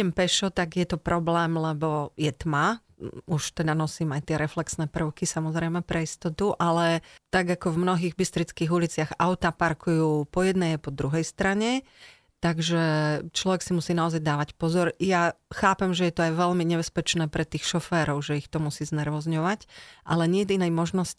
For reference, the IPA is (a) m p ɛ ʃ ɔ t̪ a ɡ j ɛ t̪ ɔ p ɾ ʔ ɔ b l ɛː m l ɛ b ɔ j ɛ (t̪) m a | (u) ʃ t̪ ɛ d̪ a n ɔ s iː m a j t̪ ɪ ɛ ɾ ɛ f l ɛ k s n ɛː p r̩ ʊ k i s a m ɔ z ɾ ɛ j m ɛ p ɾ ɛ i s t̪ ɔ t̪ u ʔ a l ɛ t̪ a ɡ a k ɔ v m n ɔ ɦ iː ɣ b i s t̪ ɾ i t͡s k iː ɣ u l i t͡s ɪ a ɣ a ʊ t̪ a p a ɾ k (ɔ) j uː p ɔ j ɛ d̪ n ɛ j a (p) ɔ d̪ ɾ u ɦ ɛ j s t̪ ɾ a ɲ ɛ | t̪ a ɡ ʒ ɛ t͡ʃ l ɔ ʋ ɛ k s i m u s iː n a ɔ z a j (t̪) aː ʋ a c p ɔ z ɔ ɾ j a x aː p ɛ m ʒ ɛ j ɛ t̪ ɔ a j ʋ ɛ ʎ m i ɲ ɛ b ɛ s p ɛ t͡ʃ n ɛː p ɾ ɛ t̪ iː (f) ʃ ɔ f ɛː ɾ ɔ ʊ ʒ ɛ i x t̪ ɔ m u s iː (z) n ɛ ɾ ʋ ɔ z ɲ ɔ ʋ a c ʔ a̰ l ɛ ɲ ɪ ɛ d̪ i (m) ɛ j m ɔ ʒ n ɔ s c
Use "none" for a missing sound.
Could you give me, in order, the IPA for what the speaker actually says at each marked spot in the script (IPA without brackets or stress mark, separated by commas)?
ɛ, t̪, u, u, p, d̪, x, z, n